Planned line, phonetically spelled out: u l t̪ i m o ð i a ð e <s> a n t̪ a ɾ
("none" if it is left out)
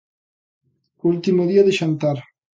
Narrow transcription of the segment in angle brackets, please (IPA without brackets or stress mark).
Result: ʃ